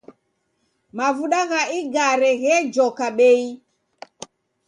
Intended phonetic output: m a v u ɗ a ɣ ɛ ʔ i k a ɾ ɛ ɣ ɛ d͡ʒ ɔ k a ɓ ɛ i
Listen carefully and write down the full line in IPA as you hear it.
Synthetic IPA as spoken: m a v u ɗ a ɣ a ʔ i ɡ a ɾ ɛ ɣ ɛ d͡ʒ ɔ k a ɓ ɛ i